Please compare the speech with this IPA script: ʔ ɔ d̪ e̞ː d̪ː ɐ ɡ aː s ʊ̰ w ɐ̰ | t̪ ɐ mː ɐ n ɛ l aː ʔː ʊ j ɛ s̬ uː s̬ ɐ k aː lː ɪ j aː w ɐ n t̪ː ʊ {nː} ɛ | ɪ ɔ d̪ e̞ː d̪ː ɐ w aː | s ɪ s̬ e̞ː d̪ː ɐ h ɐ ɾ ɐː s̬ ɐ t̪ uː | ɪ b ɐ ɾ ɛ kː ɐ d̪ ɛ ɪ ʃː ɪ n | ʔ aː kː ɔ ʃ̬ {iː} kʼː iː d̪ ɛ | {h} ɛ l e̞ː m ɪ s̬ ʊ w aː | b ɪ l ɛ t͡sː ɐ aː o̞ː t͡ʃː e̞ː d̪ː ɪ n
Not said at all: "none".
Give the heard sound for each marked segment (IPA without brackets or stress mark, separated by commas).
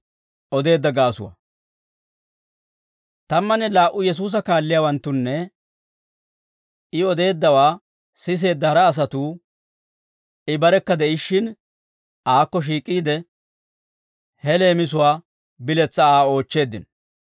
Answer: nː, iː, h